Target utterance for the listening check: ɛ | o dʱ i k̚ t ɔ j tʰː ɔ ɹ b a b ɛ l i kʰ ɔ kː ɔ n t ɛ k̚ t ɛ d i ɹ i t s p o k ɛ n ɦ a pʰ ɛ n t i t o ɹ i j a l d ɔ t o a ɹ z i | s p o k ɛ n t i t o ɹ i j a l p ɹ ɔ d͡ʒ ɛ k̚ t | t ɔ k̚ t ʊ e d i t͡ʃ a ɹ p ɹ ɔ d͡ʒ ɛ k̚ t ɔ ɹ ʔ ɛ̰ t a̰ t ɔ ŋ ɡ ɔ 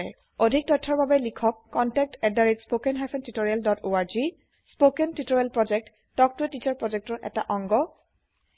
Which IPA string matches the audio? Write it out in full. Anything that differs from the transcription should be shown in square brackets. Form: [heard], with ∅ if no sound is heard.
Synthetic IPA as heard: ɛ | o dʱ i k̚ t ɔ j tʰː ɔ ɹ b a b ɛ l i kʰ ɔ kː ɔ n t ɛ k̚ t ɛ d [a] ɹ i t s p o k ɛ n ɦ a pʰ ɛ n t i t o ɹ i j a l d ɔ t o a ɹ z i | s p o k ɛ n t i t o ɹ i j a l p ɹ ɔ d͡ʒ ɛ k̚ t | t ɔ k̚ t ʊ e [t] i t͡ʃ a ɹ p ɹ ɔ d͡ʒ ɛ k̚ t ɔ ɹ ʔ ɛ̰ t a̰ [ʔ] ɔ ŋ ɡ ɔ